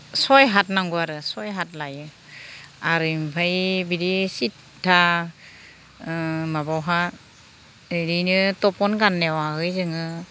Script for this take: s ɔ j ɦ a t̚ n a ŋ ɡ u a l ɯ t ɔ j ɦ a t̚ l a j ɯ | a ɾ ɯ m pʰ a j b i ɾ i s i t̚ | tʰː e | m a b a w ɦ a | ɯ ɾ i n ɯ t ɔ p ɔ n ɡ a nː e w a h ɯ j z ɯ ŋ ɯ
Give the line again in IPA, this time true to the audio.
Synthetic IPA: s ɔ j ɦ a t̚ n a ŋ ɡ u a ɾ ɯ s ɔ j ɦ a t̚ l a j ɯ | a ɾ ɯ m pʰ a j b i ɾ i s i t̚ | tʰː a | m a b a w ɦ a | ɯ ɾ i n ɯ t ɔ p ɔ n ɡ a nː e w a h ɯ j z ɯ ŋ ɯ